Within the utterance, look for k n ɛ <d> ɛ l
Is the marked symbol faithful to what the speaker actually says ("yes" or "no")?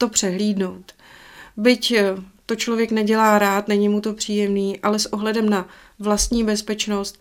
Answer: no